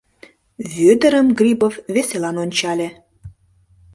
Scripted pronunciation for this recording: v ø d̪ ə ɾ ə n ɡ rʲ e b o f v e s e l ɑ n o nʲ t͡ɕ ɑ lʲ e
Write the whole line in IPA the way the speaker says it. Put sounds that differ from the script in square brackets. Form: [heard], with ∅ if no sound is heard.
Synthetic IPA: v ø d̪ ə ɾ ə [m] ɡ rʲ [i] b o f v e s e l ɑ n o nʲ t͡ɕ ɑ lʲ e

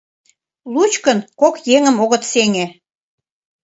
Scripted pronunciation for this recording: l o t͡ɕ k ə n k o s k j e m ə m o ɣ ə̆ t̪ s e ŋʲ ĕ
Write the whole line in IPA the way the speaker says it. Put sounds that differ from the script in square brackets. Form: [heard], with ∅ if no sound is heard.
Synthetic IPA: l [u] t͡ɕ k ə n k o [∅] k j e [ŋ] ə m o ɣ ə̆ t̪ s e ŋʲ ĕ

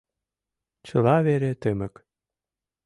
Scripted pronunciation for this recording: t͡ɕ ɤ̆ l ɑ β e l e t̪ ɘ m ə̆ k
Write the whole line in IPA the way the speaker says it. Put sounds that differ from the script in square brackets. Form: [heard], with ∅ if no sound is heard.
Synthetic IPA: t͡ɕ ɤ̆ l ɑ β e [ɾ] e t̪ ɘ m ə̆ k

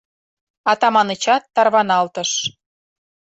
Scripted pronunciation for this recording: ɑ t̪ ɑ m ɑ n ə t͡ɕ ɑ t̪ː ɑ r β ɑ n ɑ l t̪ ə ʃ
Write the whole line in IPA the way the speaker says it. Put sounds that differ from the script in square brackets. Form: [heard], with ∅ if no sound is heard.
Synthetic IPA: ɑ t̪ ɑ m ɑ n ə t͡ɕ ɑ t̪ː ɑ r β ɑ n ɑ l t̪ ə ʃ

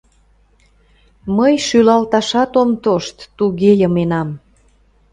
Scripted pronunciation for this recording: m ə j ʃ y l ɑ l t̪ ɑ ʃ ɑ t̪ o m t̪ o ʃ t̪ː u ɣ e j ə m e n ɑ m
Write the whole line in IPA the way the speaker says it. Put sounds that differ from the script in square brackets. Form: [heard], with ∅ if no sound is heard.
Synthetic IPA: m ə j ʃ y l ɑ l t̪ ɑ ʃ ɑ t̪ o m t̪ o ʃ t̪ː u ɣ e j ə m e n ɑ m

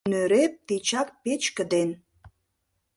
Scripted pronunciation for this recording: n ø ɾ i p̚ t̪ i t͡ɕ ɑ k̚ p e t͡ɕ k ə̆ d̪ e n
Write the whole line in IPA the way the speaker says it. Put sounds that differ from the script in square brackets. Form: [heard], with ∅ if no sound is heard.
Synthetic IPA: n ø ɾ [e] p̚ t̪ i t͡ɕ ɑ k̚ p e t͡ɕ k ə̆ d̪ e n

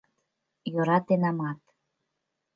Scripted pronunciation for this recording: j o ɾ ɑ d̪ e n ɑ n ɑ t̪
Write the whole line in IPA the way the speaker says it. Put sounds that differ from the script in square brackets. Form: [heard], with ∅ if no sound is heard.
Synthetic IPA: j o ɾ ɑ [t̪] e n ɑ [m] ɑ t̪

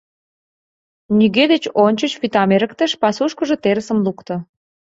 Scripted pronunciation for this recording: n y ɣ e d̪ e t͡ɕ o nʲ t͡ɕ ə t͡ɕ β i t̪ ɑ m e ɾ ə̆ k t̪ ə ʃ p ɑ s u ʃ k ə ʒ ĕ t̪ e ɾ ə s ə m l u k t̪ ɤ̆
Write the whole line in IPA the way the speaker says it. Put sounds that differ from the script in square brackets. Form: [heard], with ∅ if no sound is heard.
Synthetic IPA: n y ɣ e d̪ e t͡ɕ o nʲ t͡ɕ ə t͡ɕ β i t̪ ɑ m e ɾ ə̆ k t̪ ə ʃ p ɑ s u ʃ k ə ʒ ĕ t̪ e ɾ ə s ə m l u k t̪ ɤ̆

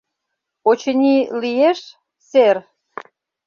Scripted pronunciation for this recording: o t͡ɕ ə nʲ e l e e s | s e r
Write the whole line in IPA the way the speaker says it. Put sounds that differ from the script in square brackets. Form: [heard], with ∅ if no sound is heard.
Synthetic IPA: o t͡ɕ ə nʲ [i] l [i] e [ʃ] | s e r

